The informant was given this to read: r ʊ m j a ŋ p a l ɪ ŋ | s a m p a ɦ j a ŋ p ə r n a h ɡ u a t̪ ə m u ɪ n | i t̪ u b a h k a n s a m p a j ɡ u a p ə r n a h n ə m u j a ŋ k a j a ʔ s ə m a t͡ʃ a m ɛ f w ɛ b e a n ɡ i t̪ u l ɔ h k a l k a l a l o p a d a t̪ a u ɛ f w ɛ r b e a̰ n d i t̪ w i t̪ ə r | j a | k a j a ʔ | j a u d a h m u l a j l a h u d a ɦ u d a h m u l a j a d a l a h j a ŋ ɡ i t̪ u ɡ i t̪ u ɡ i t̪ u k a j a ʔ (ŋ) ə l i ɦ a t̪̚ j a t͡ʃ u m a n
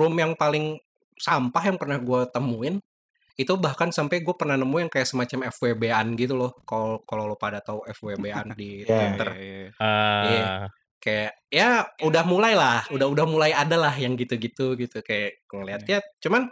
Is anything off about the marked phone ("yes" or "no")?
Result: no